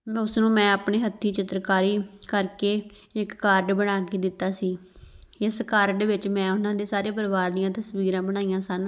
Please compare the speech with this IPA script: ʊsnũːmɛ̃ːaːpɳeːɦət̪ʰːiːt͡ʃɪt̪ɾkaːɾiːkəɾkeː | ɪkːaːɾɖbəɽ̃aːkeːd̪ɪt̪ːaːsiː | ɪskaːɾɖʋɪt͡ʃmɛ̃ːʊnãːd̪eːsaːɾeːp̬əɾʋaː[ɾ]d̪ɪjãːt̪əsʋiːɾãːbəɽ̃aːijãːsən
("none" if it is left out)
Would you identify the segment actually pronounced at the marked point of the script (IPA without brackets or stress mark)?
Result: ɾ